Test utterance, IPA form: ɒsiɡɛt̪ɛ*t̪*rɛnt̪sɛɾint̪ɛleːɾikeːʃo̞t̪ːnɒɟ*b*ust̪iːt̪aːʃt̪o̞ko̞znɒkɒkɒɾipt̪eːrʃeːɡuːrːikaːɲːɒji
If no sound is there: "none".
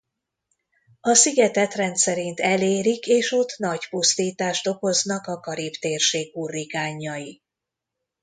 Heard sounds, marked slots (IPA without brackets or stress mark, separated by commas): t̪, p